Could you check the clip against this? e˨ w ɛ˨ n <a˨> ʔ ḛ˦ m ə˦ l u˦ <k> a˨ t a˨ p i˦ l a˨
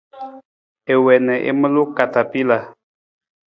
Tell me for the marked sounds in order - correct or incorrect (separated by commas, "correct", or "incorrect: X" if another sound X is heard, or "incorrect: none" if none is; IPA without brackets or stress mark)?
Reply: incorrect: ɛ˨, correct